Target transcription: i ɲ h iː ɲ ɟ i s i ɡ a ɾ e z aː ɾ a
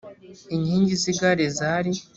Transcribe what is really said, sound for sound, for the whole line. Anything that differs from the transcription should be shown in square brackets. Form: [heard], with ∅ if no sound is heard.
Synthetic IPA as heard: i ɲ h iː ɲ ɟ i [z] i ɡ a ɾ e z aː ɾ [i]